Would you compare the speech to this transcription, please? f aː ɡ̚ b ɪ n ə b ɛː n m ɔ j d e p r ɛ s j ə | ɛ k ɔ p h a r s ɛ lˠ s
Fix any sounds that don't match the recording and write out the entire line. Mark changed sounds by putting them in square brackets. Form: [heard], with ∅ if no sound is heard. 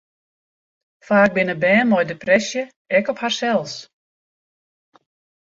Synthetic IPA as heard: f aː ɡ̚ b ɪ n ə b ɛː n m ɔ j d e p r ɛ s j ə | ɛ k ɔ p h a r s ɛ lˠ s

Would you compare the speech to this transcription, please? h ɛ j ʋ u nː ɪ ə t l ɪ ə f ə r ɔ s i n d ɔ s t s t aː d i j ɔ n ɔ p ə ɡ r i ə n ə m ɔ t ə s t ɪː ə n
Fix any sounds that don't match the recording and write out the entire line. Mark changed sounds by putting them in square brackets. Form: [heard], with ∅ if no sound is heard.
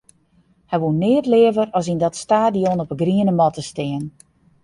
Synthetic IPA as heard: h ɛ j ʋ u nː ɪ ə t l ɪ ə [v] ə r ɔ s i n d ɔ [∅] t s t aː d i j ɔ n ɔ p ə ɡ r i ə n ə m ɔ t ə s t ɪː ə n

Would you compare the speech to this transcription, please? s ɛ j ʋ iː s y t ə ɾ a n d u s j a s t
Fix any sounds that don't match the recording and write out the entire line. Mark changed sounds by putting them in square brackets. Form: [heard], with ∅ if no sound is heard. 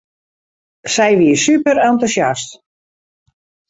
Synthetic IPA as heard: s ɛ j ʋ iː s y [p] ə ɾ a n [t] u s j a s t

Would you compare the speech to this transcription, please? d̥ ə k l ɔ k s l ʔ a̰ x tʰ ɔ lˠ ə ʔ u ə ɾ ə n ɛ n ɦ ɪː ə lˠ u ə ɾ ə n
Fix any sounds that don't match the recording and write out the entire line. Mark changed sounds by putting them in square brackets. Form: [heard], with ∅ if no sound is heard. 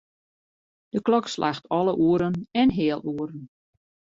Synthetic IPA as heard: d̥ ə k l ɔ k s l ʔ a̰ x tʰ ɔ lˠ ə ʔ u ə ɾ ə n ɛ n ɦ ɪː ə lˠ u ə ɾ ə n

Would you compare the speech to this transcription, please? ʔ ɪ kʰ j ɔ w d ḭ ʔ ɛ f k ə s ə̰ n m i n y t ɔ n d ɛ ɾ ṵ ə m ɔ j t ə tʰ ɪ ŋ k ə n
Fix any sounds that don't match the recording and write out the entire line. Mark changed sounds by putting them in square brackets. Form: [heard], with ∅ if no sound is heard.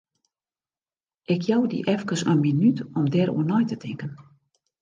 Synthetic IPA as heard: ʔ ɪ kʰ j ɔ w d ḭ ʔ ɛ f k ə s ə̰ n m i n y t ɔ [m] d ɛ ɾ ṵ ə [n] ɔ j t ə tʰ ɪ ŋ k ə n

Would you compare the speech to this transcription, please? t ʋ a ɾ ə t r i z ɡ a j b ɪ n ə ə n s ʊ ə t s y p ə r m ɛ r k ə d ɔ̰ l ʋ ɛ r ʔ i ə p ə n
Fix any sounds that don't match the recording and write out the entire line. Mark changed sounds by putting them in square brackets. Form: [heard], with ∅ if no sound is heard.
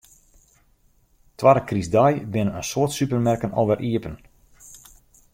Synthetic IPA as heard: t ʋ a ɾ ə [k] r i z [d] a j b ɪ n ə ə n s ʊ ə t s y p ə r m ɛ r k ə [n] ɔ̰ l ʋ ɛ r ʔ i ə p ə n

